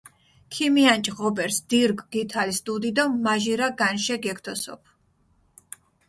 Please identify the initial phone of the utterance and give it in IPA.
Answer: kʰ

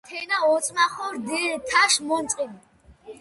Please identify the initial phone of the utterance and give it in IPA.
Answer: t̪ʰ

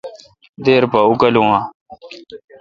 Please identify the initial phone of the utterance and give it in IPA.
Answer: d̪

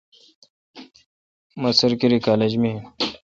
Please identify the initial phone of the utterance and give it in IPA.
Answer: m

